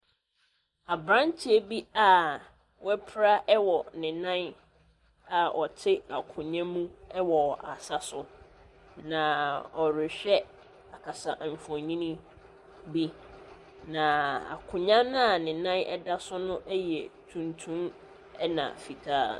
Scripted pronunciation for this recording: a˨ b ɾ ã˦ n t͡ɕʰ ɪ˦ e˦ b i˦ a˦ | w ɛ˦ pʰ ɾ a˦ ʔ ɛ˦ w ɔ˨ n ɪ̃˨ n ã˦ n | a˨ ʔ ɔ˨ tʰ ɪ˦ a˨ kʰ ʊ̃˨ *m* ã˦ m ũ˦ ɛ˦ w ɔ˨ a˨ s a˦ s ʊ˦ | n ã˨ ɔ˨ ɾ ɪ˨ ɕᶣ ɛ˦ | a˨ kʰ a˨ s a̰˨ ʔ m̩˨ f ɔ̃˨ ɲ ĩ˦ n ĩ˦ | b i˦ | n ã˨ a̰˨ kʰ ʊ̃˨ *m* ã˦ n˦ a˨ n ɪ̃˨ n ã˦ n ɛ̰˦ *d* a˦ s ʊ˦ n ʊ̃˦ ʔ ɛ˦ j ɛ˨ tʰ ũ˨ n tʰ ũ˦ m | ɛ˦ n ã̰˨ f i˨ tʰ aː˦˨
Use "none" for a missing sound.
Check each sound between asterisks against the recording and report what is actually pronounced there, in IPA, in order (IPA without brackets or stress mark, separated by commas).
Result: ɲ, ɲ, d